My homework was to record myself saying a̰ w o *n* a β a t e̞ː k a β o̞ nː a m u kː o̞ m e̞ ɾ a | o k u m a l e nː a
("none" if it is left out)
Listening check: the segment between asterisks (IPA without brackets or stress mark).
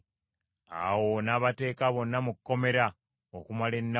n